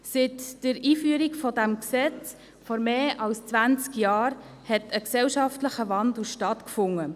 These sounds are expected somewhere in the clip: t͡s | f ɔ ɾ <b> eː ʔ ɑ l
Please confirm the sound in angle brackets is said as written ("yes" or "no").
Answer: no